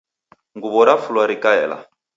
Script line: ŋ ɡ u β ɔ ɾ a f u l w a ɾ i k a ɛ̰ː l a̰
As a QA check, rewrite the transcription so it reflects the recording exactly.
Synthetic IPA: ŋ ɡ u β ɔ ɾ a f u l w a ɾ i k a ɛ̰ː l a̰